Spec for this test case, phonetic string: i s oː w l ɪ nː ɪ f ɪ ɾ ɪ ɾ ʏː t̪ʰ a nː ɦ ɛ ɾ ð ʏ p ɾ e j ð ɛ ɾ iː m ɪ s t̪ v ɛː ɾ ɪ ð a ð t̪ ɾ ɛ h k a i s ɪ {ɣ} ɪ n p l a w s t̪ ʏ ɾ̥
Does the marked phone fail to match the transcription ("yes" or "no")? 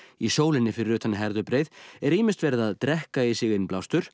no